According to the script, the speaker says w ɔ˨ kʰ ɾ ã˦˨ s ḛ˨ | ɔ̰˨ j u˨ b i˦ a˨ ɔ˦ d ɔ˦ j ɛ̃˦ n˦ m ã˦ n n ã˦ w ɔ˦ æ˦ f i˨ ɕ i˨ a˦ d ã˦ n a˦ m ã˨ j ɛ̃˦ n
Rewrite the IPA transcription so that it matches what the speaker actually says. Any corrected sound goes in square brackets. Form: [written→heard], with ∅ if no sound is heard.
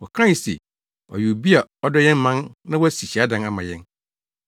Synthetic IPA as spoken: w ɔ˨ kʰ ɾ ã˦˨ s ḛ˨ | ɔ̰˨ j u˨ b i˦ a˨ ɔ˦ d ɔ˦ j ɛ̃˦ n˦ m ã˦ n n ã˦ w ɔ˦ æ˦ [f→s] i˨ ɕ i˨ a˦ d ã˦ n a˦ m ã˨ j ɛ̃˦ n

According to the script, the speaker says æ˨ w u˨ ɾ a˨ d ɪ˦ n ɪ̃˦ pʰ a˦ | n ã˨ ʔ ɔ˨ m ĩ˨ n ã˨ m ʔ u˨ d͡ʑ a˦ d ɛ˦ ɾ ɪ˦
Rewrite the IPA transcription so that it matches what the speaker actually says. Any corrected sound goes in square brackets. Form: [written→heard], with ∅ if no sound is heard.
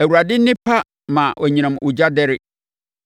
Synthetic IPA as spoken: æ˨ w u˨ ɾ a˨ d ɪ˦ n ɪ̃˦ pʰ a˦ | [n→m] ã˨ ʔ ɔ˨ [m→ɲ] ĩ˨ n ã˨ m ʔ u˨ d͡ʑ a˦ d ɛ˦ ɾ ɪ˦

